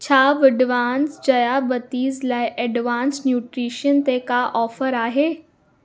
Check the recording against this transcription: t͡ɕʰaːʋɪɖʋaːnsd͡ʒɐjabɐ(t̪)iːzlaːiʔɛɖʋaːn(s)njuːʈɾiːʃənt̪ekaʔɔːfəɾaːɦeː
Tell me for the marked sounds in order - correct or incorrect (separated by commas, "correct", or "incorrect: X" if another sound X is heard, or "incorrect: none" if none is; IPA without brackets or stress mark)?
correct, correct